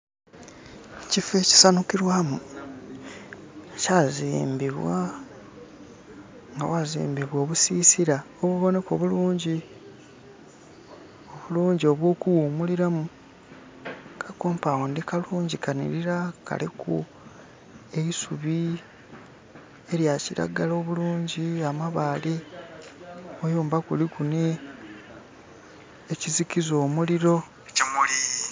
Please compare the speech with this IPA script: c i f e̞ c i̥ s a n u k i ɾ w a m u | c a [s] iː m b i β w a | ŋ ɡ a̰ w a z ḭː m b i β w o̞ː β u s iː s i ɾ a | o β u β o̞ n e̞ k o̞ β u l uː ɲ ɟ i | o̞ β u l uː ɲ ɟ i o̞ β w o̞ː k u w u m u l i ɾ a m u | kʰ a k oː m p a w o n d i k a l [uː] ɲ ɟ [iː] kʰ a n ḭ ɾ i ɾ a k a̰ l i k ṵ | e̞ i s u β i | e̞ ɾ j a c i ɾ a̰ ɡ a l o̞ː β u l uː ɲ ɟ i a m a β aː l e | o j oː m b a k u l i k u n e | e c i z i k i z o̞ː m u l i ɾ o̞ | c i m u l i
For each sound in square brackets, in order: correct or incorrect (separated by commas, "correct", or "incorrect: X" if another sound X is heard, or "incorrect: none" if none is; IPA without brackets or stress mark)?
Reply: incorrect: z, correct, incorrect: i